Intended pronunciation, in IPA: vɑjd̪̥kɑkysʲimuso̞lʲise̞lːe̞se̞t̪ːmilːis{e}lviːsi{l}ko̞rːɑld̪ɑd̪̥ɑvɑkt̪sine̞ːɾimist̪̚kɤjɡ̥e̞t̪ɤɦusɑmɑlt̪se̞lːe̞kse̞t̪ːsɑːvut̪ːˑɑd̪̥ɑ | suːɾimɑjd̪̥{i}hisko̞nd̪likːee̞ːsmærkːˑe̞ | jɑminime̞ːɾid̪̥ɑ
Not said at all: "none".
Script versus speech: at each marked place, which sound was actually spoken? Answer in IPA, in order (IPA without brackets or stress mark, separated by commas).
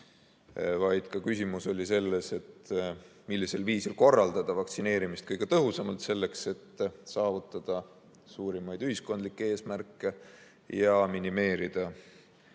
e, l, y